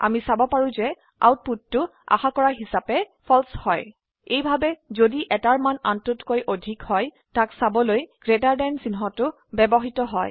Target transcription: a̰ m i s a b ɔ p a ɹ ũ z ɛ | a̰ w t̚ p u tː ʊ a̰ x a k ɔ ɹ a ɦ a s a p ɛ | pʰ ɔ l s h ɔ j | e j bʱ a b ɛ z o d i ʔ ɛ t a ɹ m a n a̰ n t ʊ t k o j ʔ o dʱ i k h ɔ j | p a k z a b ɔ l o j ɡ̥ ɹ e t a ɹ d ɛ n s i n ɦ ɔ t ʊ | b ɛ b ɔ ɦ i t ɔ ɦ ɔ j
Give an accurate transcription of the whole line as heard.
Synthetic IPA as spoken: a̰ m i s a b ɔ p a ɹ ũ z ɛ | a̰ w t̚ p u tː ʊ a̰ x a k ɔ ɹ a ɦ i s a p ɛ | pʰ ɔ l s h ɔ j | e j bʱ a b ɛ z o d i ʔ ɛ t a ɹ m a n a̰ n t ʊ t k o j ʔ o dʱ i k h ɔ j | t a k s a b ɔ l o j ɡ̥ ɹ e t a ɹ d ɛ n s i n ɦ ɔ t ʊ | b ɛ b ɔ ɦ i t ɔ ɦ ɔ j